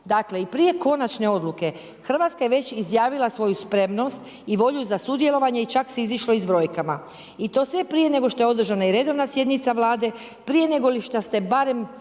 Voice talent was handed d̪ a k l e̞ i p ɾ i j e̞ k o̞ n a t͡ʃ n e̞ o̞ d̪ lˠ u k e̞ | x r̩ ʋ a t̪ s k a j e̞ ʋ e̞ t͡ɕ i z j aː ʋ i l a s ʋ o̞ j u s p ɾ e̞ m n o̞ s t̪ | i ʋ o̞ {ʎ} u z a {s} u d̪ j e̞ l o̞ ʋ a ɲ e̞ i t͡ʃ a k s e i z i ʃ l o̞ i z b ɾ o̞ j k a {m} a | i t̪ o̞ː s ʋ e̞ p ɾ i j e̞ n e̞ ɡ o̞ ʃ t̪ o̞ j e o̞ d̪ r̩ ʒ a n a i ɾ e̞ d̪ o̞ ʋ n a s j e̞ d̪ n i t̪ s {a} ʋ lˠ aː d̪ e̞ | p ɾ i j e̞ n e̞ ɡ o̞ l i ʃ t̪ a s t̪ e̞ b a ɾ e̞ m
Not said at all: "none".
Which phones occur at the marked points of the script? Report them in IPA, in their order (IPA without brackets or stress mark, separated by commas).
ʎ, s, m, a